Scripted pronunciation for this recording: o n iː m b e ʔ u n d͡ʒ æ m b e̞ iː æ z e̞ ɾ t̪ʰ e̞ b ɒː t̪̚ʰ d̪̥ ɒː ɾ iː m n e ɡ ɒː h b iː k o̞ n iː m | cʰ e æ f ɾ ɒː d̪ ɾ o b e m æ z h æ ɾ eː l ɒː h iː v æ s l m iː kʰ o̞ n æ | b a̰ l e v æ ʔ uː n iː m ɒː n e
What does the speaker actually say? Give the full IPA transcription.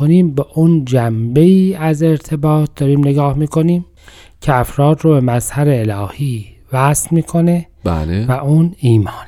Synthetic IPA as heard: o n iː m b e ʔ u n d͡ʒ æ m b e̞ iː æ z e̞ ɾ t̪ʰ e̞ b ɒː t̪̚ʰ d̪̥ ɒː ɾ iː m n e ɡ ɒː h m iː k o̞ n iː m | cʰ e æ f ɾ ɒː d̪ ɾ o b e m æ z h æ ɾ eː l ɒː h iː v æ s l m iː kʰ o̞ n e | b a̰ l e v æ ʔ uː n iː m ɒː n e